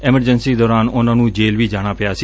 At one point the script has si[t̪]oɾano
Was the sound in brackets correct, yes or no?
no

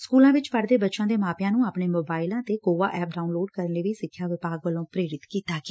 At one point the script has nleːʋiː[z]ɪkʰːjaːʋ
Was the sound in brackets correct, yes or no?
no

